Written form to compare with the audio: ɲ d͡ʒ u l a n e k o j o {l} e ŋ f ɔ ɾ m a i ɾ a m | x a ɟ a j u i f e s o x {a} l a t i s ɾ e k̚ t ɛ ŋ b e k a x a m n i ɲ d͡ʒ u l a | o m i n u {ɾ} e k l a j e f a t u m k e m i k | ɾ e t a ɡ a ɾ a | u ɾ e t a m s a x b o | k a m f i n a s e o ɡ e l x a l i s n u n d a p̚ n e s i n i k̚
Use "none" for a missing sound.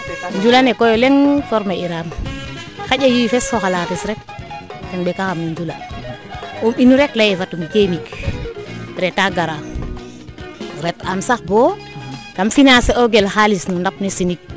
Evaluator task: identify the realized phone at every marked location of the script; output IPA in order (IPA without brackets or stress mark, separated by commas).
l, a, ɾ